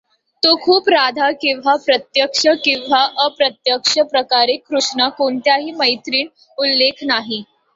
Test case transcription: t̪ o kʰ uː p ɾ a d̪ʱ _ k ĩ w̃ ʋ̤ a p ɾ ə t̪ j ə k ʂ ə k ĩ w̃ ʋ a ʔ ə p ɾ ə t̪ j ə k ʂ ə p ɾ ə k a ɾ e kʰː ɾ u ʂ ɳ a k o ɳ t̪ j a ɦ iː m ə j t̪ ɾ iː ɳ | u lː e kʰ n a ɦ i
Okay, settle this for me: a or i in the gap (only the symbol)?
a